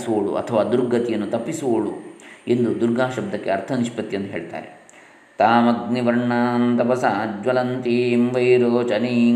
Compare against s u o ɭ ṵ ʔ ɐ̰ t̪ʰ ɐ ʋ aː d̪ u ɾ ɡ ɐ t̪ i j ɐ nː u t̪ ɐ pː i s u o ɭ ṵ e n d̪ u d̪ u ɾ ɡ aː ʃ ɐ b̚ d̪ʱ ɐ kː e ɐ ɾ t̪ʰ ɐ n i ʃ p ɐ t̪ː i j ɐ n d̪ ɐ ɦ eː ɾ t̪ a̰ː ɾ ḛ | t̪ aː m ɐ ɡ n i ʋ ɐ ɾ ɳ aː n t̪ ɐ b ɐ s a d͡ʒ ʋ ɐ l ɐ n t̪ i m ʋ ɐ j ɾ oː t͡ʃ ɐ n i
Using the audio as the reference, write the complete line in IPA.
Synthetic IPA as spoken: s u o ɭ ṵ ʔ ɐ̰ t̪ʰ ɐ ʋ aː d̪ u ɾ ɡ ɐ t̪ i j ɐ nː u t̪ ɐ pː i s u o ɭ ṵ e n d̪ u d̪ u ɾ ɡ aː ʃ ɐ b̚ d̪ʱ ɐ kː e ɐ ɾ t̪ʰ ɐ n i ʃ p ɐ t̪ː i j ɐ n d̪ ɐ ɦ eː ɭ t̪ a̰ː ɾ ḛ | t̪ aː m ɐ ɡ n i ʋ ɐ ɾ ɳ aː n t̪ ɐ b ɐ s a d͡ʒ ʋ ɐ l ɐ n t̪ i m ʋ ɐ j ɾ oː t͡ʃ ɐ n i